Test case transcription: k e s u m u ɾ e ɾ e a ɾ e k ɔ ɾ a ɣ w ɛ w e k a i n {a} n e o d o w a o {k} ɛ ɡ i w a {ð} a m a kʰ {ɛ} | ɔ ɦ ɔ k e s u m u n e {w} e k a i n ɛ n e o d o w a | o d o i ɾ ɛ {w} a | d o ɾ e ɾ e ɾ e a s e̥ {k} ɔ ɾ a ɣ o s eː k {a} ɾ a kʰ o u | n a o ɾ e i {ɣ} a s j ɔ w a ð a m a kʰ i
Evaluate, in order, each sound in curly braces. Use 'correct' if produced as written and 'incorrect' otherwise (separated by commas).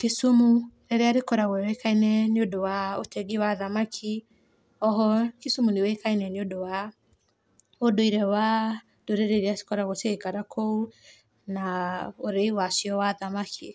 incorrect, incorrect, correct, incorrect, correct, correct, correct, correct, incorrect